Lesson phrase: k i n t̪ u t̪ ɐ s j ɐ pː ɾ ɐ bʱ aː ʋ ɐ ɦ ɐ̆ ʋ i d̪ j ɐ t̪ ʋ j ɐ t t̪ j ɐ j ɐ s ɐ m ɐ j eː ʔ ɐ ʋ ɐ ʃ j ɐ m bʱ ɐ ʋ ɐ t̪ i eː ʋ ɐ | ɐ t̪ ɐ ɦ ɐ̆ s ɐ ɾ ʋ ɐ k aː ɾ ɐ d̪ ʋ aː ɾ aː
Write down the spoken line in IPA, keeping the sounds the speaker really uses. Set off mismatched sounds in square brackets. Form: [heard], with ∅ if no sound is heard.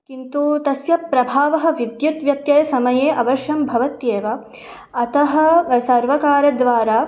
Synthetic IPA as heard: k i n t̪ u t̪ ɐ s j ɐ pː ɾ ɐ bʱ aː ʋ ɐ ɦ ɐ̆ ʋ i d̪ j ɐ t̪ ʋ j ɐ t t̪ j ɐ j ɐ s ɐ m ɐ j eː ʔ ɐ ʋ ɐ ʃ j ɐ m bʱ ɐ ʋ ɐ t̪ [j] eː ʋ ɐ | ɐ t̪ ɐ ɦ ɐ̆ s ɐ ɾ ʋ ɐ k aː ɾ ɐ d̪ ʋ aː ɾ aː